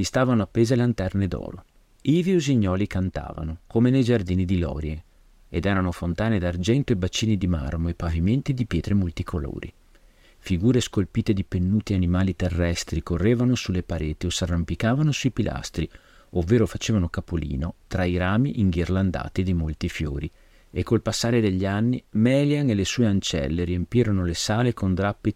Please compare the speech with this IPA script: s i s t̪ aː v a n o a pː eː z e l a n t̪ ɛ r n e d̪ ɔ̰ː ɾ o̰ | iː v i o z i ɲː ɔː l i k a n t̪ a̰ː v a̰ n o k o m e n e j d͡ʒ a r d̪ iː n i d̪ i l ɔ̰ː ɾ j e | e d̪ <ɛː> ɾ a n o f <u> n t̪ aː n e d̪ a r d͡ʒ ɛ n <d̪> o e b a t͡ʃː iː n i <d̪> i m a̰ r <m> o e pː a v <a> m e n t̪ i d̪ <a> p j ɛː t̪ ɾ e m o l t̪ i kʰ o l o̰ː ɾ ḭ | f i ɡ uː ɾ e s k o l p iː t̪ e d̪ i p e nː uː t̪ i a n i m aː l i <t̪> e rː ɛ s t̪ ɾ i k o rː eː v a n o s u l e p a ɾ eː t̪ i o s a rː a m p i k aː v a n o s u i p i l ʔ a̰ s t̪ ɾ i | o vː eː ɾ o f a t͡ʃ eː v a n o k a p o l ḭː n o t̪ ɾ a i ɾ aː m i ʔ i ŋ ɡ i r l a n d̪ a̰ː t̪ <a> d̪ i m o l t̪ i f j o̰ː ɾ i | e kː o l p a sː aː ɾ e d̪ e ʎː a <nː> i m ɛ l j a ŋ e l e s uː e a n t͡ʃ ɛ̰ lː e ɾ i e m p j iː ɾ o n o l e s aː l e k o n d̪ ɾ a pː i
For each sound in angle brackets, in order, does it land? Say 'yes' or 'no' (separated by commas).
yes, no, no, yes, yes, no, no, yes, no, yes